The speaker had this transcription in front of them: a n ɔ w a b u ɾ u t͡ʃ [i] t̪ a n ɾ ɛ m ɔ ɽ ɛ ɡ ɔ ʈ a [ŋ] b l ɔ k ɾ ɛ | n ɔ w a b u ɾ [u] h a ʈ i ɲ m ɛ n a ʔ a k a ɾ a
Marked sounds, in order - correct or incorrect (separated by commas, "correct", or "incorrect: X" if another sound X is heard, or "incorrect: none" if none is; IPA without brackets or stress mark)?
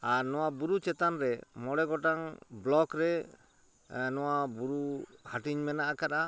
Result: incorrect: ɛ, correct, correct